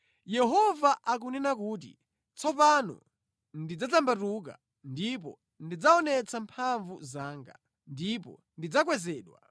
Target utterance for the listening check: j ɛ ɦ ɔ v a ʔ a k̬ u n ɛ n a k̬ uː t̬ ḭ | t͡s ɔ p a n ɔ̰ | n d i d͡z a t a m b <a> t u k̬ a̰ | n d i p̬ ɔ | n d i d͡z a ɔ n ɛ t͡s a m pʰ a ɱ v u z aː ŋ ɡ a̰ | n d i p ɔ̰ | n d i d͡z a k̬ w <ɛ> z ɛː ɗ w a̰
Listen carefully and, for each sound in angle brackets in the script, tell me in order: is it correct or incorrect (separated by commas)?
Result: correct, correct